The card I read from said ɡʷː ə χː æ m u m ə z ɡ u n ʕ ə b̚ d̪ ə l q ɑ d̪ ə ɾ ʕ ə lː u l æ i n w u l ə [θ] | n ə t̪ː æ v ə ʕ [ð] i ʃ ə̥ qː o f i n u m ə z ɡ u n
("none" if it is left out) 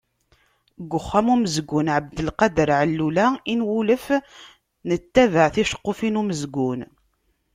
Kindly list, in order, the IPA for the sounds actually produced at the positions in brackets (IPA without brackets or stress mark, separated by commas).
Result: f, θ